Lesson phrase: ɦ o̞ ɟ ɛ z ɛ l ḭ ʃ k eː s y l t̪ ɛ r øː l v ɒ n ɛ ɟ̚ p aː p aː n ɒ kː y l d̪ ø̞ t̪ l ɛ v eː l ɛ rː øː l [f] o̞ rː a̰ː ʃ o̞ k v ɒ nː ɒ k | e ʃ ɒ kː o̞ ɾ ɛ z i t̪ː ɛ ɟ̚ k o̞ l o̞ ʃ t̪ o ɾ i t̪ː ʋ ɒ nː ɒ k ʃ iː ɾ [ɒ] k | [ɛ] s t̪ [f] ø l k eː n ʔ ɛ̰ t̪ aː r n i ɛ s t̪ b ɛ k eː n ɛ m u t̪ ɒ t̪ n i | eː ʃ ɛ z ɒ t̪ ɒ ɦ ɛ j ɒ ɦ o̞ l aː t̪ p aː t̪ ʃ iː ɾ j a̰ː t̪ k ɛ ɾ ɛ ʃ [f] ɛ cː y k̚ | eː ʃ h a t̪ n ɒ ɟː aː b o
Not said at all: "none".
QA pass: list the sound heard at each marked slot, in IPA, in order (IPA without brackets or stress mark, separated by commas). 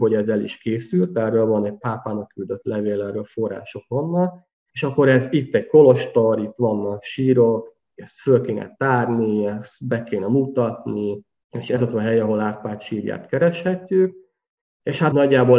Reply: f, o, ɛ, f, h